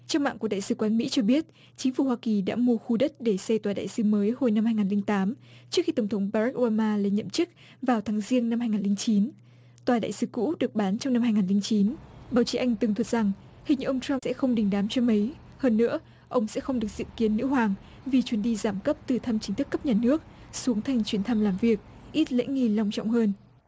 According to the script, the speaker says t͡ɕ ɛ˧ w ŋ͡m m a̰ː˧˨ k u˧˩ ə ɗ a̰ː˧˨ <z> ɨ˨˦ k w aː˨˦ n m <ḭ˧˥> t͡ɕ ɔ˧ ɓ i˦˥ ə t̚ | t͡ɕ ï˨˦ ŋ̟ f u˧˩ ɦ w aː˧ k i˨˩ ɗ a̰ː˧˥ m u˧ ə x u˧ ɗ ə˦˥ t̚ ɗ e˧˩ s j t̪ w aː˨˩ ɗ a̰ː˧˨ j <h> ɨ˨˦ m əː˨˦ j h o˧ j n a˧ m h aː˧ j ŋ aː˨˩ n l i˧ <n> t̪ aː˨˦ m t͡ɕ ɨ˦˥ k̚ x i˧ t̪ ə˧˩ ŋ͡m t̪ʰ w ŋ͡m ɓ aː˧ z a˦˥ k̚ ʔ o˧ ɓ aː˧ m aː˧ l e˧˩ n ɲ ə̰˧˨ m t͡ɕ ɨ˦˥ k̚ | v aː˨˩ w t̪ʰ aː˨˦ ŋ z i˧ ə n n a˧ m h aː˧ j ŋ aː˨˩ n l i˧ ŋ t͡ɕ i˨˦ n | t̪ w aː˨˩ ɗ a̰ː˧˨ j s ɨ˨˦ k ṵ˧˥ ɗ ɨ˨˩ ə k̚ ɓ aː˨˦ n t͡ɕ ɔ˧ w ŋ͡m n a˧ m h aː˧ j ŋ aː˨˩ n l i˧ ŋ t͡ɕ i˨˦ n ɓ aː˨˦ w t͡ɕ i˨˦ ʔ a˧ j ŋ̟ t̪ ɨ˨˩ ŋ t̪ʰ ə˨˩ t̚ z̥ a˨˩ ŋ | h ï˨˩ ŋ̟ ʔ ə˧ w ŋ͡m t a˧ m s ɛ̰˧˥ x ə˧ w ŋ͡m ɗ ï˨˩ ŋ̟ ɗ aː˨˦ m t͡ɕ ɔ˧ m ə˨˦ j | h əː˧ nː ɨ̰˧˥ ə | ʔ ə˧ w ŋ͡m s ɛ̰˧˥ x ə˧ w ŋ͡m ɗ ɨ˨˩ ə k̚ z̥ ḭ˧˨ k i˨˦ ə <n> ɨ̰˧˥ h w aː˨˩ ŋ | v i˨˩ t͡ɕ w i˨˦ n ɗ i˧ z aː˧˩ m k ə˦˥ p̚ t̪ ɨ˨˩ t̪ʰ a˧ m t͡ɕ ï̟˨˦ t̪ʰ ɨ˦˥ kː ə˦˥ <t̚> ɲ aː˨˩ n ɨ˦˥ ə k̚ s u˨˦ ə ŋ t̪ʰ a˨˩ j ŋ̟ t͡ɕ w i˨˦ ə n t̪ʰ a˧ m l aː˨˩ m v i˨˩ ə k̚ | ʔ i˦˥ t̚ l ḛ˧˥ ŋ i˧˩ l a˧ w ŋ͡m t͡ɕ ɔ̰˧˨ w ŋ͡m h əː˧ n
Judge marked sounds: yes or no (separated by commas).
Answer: no, yes, no, no, no, no